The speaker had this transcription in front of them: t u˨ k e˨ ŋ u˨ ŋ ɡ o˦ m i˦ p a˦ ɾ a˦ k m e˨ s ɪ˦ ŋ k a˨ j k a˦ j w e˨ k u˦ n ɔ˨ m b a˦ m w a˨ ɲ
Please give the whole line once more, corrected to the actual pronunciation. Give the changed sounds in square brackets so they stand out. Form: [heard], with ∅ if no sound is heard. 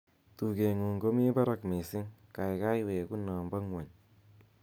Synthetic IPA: t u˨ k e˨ ŋ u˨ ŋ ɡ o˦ m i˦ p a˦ ɾ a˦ k m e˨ s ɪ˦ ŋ k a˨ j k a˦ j w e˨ k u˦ n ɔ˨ m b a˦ [ŋ] w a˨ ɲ